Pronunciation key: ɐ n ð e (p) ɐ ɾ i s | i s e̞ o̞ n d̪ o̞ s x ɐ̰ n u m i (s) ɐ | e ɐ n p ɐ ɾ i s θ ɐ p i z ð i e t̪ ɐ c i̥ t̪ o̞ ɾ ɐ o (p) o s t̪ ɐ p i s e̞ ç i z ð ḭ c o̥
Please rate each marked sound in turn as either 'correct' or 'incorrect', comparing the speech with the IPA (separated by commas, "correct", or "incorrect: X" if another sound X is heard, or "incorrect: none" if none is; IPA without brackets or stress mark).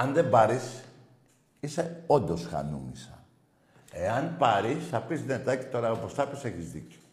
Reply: incorrect: b, correct, correct